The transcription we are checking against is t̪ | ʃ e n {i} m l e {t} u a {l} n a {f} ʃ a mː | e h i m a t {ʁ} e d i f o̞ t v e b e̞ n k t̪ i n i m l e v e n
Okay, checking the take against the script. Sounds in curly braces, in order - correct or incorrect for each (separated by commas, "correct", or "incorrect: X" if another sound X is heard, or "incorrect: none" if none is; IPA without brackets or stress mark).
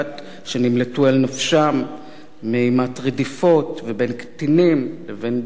correct, correct, correct, correct, correct